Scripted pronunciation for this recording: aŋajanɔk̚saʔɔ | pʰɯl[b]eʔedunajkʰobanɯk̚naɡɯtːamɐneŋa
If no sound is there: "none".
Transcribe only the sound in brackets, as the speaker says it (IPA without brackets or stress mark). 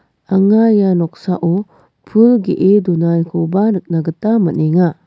ɡ